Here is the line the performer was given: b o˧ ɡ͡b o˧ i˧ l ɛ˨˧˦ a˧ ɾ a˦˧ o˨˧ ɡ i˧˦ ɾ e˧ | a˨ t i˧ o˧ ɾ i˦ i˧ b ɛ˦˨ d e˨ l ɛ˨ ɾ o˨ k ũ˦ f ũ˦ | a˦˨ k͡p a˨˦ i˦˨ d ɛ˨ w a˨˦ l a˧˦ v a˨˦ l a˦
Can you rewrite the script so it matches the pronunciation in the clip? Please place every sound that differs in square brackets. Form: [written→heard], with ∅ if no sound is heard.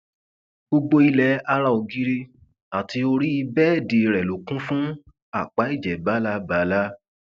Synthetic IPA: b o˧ ɡ͡b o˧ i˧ l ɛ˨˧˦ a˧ ɾ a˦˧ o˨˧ ɡ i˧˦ ɾ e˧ | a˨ t i˧ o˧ ɾ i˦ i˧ b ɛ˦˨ d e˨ [l→ɾ] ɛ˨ [ɾ→l] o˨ k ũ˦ f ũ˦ | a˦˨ k͡p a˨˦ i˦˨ [d→d͡ʒ] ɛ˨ [w→b] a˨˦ l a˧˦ [v→b] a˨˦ l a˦